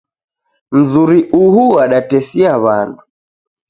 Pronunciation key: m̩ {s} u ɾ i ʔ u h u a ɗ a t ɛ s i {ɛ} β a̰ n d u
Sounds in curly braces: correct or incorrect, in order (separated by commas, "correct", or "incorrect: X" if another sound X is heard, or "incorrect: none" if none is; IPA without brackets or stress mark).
incorrect: z, incorrect: a